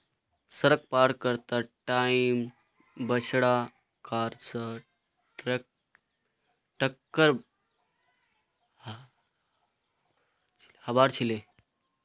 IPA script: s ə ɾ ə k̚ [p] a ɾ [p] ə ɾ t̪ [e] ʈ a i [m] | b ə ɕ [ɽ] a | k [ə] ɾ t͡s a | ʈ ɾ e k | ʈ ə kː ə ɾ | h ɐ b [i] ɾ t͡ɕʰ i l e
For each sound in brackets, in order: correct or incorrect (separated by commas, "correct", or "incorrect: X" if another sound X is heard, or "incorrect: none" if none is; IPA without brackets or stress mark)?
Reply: correct, incorrect: k, incorrect: a, correct, correct, incorrect: a, incorrect: a